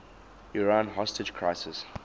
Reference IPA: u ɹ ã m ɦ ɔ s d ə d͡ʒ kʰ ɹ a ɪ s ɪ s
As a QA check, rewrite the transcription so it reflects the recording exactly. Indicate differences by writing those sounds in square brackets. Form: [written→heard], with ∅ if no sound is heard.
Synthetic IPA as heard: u ɹ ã [m→n] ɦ ɔ s [d→t] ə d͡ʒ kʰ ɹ a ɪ s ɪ s